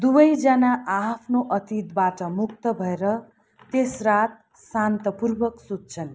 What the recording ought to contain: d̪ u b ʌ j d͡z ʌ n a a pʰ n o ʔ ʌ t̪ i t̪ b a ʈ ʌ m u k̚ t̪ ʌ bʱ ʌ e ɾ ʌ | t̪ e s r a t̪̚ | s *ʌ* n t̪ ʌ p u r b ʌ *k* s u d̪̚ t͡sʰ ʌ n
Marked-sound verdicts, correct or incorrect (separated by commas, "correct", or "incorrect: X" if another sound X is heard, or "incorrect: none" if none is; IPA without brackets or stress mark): incorrect: a, correct